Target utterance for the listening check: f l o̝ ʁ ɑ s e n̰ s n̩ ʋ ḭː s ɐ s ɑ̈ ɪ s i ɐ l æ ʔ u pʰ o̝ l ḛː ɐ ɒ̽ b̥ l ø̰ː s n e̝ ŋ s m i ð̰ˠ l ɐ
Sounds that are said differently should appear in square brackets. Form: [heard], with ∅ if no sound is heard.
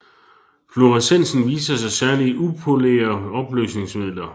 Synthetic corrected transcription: f l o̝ ʁ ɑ s e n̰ s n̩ ʋ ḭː s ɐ s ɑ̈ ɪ s [æ] ɐ l [i] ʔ u pʰ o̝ l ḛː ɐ ɒ̽ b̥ l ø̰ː s n e̝ ŋ s m i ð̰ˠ l ɐ